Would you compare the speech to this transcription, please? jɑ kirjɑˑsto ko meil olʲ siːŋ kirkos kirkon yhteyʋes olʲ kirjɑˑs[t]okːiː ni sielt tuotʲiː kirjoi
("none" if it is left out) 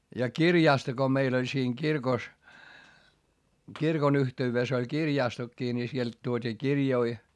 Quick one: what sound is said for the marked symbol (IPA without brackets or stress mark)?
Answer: t